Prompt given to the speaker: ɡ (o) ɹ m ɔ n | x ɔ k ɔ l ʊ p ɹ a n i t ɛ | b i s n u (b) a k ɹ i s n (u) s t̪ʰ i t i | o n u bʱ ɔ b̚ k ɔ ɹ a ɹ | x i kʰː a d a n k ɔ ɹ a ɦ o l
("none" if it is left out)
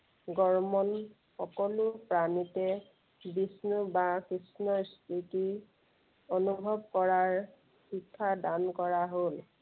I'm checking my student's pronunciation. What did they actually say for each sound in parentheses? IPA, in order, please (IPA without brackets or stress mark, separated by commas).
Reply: ɔ, b, ɔ